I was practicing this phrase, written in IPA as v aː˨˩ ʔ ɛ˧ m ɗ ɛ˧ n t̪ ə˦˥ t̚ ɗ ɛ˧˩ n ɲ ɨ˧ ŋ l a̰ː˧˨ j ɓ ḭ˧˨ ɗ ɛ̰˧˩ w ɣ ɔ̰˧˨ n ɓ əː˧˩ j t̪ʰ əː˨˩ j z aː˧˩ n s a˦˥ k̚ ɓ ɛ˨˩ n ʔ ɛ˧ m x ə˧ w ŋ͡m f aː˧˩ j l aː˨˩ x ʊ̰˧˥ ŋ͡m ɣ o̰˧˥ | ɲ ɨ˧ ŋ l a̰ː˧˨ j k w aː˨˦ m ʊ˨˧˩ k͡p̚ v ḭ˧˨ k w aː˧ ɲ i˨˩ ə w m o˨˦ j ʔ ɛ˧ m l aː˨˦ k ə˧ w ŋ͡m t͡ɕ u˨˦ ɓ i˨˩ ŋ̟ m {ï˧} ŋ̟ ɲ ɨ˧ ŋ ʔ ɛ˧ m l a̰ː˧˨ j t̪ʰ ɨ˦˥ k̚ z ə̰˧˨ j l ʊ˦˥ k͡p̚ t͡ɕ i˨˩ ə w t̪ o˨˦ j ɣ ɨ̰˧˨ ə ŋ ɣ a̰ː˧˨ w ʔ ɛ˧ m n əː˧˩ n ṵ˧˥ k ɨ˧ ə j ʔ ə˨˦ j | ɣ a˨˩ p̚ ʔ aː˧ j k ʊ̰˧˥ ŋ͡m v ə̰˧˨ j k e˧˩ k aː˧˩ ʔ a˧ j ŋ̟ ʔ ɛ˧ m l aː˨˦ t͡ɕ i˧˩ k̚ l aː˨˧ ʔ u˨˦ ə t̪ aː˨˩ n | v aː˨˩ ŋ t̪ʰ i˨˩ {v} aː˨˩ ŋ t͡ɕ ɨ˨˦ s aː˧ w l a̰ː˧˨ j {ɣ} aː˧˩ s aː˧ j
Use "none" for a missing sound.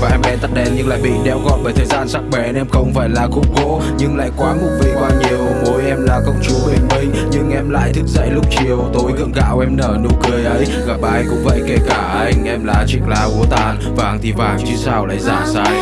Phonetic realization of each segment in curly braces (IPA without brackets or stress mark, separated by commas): ï˧, v, z